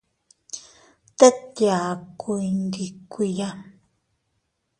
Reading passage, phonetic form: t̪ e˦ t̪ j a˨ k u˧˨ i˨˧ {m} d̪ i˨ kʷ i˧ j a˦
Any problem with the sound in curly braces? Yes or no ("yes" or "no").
yes